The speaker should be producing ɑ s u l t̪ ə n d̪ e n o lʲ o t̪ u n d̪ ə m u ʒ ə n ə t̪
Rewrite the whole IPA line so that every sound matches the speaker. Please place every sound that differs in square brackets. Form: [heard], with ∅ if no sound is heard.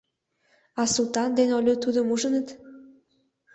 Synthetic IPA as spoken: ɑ s u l t̪ [ɑ] n d̪ e n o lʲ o t̪ u [∅] d̪ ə m u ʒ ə n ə t̪